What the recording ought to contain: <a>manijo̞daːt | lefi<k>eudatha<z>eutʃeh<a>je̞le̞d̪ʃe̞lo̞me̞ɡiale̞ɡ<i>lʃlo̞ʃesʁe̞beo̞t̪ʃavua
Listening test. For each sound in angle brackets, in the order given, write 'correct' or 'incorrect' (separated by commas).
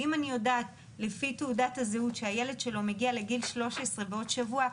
incorrect, incorrect, correct, correct, correct